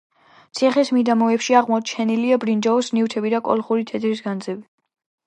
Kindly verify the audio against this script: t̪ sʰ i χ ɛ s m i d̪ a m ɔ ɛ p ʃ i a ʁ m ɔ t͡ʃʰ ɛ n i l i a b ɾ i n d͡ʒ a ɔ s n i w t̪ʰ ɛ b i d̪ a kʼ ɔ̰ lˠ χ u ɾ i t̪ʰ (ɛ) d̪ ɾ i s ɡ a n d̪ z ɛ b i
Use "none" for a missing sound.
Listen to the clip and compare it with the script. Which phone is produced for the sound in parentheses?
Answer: ɛ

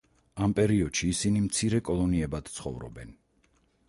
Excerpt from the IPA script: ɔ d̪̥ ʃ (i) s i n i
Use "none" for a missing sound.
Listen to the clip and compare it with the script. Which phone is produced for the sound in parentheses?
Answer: iː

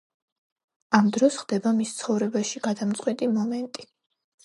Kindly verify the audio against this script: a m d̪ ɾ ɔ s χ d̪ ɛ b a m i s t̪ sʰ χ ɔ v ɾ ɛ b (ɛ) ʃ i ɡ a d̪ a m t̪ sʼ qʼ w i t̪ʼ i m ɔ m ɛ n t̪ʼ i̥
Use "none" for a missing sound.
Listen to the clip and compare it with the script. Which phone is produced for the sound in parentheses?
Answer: a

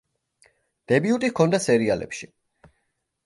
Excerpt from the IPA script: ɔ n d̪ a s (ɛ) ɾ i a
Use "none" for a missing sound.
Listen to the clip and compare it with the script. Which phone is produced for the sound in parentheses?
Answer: ɛ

